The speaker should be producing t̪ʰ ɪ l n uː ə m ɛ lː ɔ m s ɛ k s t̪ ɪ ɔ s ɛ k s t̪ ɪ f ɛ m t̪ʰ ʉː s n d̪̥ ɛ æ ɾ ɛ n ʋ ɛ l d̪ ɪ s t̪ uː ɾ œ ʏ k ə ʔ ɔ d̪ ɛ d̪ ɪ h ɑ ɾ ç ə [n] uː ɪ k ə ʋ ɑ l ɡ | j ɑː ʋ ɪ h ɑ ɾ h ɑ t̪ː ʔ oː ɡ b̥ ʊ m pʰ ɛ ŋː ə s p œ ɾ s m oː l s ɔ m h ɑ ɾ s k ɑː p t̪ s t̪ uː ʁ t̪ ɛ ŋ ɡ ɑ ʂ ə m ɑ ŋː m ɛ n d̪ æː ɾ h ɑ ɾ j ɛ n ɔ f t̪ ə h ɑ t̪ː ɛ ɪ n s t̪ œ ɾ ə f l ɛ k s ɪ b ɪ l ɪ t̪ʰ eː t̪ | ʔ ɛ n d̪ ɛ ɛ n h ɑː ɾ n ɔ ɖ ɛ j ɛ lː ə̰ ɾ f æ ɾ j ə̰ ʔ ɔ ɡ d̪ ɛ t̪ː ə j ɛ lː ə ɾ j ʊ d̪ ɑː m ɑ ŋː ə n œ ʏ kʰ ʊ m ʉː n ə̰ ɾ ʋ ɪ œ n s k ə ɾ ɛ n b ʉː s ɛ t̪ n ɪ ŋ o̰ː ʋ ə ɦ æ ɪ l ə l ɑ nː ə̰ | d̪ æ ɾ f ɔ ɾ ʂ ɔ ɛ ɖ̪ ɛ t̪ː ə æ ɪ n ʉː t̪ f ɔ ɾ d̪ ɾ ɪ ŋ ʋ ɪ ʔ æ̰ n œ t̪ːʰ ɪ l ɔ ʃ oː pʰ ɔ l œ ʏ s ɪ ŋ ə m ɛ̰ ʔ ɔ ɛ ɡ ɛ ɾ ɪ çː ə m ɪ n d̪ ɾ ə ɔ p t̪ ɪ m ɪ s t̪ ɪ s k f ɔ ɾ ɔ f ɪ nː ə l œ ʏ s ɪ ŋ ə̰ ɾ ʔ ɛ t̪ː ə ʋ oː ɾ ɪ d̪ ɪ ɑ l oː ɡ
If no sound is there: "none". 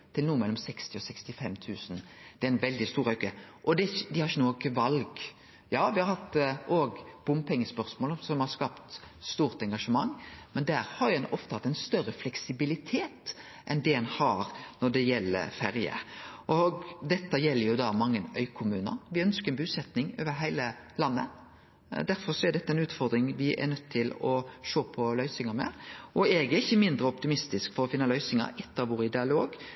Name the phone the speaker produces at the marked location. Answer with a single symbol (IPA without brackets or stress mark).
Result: n